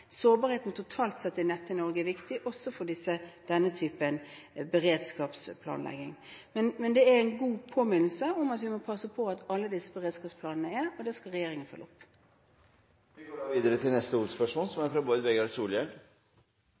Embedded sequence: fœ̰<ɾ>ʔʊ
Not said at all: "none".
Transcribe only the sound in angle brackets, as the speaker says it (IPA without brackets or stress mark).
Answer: l